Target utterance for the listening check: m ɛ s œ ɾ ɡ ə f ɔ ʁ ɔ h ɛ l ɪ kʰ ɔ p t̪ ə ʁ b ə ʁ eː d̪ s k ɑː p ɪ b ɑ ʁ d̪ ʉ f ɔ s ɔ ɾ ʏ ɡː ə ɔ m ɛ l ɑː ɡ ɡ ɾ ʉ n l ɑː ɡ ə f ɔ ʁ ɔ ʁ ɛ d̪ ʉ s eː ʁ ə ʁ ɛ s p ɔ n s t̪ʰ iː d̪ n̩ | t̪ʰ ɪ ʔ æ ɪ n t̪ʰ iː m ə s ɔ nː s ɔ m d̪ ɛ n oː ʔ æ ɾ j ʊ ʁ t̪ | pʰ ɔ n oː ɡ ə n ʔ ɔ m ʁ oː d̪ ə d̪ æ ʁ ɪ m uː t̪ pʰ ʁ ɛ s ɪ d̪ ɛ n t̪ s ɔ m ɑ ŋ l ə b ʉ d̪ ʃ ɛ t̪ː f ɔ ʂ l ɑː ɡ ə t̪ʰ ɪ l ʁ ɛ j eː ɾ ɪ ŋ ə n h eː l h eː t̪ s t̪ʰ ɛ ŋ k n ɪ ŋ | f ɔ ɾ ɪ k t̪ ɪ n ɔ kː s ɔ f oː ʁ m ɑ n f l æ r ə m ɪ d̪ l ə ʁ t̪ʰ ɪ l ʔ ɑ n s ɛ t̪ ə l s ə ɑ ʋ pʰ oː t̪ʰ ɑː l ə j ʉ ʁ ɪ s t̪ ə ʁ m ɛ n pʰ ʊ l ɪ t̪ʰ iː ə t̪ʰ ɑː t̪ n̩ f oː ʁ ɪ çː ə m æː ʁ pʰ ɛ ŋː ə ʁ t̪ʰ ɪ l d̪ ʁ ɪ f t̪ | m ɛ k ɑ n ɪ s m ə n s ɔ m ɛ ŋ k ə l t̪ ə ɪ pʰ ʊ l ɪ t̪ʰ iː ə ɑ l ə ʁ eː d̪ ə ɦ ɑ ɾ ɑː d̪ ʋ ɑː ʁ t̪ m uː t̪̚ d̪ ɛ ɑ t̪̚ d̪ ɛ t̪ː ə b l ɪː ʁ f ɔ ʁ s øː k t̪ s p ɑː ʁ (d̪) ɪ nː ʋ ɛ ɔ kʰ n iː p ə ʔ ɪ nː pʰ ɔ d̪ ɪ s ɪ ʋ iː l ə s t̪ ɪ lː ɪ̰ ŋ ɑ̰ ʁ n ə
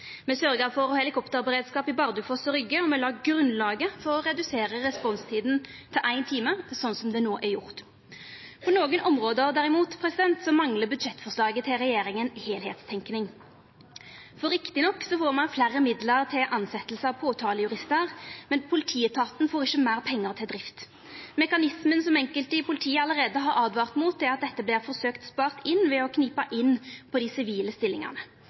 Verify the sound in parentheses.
incorrect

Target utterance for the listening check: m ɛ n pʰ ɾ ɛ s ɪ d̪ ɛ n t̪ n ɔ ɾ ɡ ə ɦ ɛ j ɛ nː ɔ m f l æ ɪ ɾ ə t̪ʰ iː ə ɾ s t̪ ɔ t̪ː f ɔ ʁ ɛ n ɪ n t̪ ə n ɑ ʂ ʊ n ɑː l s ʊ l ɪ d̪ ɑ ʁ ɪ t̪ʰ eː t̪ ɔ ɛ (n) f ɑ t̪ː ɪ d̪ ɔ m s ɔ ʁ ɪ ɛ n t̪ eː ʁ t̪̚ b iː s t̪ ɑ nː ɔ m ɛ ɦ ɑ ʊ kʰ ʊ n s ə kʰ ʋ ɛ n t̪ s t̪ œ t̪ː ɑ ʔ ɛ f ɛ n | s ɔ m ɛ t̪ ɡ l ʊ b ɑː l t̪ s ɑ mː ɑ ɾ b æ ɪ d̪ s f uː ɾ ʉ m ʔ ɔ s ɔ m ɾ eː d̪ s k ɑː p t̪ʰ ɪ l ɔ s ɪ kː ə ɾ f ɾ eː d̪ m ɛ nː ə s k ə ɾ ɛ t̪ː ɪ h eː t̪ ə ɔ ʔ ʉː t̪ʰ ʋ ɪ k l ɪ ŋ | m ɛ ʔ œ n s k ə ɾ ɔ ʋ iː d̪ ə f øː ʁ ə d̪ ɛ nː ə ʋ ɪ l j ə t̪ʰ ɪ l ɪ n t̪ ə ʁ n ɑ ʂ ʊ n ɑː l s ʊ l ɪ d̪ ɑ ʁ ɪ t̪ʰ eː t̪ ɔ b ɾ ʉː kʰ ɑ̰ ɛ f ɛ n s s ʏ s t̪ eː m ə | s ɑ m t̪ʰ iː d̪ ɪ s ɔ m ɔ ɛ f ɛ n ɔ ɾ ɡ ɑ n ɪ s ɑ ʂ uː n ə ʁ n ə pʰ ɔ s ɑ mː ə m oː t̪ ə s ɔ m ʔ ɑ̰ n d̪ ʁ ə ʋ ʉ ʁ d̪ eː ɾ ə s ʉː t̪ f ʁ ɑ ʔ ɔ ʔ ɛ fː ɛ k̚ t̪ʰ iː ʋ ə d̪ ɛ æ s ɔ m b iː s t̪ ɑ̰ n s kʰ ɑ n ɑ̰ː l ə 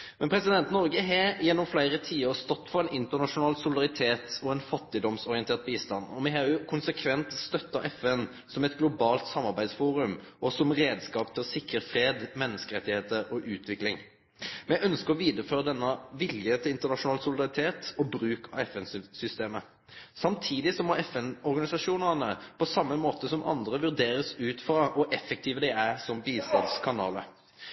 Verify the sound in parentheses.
correct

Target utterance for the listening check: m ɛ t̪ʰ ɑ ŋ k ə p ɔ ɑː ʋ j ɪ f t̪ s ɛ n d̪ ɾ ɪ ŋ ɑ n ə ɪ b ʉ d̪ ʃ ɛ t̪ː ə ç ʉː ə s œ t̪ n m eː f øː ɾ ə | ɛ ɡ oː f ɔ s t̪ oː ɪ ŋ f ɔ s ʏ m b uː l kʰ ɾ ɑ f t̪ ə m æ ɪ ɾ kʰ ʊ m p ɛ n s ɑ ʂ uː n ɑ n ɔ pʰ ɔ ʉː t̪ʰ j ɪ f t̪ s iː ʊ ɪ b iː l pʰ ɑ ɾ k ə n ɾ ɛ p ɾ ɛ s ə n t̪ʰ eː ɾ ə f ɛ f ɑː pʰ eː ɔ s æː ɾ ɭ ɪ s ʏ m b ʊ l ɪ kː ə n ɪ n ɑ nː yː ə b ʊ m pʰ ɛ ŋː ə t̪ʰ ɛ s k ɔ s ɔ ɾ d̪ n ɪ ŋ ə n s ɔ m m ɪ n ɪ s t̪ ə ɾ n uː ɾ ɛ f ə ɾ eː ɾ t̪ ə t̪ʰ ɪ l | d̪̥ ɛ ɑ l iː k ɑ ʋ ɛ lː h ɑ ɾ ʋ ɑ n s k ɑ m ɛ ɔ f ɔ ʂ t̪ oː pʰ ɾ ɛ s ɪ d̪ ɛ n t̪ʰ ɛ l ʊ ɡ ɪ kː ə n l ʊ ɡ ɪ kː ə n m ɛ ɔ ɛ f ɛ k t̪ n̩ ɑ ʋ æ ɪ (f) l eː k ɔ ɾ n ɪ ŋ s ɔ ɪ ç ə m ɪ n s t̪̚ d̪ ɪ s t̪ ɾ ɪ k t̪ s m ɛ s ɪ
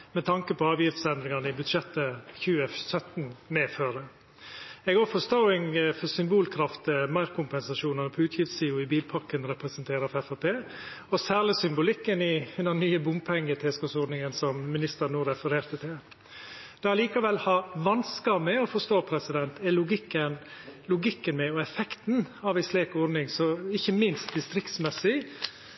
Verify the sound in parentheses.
incorrect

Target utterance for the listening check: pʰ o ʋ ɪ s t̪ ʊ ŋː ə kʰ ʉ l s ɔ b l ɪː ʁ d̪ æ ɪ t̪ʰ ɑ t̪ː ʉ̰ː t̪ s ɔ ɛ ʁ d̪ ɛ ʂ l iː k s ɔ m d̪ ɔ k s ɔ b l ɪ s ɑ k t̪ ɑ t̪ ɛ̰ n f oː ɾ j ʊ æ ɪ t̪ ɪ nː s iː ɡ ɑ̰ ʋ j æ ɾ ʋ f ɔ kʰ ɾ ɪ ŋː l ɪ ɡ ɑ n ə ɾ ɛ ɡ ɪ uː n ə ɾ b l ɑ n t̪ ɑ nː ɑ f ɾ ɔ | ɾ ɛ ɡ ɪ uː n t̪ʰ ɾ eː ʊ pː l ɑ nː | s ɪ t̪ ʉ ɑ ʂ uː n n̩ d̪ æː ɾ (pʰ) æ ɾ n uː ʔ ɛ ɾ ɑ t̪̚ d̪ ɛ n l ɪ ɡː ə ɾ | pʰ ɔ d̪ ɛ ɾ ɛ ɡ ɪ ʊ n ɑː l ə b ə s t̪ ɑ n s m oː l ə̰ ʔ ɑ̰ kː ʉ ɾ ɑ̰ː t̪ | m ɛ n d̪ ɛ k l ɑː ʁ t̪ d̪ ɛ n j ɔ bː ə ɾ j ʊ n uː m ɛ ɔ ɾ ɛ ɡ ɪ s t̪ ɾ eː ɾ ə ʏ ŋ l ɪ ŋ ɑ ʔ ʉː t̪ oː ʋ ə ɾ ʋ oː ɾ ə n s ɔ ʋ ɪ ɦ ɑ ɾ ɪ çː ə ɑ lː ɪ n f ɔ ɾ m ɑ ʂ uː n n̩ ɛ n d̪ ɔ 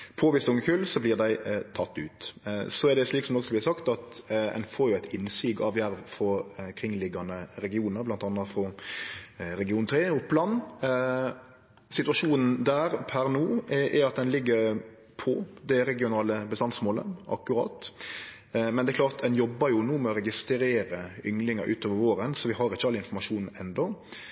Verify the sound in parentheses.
correct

